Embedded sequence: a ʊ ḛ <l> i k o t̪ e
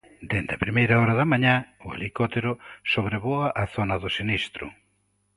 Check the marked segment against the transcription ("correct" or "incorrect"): correct